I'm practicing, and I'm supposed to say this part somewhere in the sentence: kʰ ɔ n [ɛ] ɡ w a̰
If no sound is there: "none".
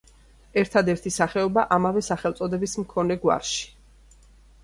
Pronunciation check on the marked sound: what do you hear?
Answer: ɛ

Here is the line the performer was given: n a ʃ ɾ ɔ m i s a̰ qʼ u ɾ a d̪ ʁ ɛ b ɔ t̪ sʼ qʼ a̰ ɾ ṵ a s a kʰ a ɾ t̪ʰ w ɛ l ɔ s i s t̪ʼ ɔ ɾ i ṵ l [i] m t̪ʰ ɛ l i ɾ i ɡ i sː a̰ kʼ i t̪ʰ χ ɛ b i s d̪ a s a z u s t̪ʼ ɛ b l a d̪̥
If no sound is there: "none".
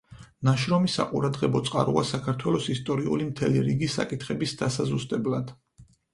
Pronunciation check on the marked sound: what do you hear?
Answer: i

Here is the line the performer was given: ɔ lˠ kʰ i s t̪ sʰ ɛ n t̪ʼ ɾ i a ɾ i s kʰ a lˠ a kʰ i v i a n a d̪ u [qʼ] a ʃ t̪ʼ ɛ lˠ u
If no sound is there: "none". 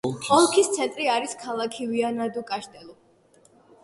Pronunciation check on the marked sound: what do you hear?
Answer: kʼ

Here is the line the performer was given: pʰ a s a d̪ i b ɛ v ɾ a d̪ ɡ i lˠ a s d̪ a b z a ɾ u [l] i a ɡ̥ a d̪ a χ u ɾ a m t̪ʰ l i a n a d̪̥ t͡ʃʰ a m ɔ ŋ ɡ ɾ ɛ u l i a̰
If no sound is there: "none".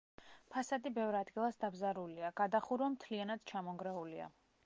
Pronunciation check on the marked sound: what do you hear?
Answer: l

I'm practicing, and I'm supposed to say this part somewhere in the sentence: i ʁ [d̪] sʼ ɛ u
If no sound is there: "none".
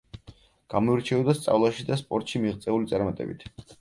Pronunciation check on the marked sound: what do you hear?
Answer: t̪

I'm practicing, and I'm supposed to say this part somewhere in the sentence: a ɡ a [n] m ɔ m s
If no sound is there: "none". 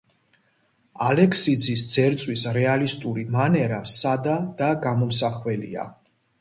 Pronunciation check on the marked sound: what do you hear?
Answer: none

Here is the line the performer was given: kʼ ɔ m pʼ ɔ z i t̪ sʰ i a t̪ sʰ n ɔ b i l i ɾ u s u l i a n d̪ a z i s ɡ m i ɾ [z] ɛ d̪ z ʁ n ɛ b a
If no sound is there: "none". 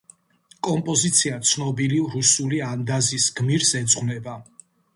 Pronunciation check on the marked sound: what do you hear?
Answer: s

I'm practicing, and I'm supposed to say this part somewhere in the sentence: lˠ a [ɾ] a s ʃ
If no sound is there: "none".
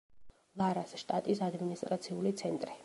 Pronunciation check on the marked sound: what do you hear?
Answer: ɾ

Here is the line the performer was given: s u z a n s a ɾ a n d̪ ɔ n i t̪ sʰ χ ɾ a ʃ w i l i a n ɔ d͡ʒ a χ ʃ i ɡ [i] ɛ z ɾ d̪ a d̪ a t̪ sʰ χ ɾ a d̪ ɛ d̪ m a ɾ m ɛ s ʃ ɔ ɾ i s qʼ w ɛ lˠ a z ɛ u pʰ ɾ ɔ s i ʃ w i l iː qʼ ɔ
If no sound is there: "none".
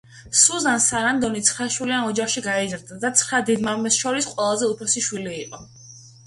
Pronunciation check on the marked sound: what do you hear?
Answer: a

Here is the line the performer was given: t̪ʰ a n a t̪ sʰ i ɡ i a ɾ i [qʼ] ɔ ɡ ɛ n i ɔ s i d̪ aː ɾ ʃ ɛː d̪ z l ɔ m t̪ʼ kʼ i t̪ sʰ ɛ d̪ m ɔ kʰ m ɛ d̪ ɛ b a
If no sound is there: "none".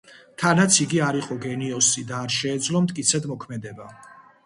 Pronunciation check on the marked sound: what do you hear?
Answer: qʼ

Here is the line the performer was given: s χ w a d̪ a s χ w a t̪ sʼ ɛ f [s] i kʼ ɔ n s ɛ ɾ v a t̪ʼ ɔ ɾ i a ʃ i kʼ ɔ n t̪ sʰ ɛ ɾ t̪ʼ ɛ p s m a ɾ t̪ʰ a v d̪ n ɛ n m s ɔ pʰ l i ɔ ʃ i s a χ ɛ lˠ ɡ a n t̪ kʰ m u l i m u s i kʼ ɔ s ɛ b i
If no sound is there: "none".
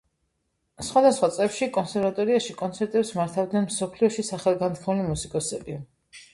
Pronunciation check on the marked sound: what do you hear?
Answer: ʃ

